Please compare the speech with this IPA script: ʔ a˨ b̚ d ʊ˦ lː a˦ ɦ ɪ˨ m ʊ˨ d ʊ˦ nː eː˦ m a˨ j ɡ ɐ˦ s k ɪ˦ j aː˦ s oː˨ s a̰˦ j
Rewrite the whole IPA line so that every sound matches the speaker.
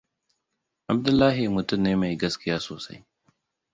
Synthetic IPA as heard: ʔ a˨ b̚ d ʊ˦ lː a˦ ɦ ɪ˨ m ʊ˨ t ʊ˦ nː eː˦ m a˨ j ɡ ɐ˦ s k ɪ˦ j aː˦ s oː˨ s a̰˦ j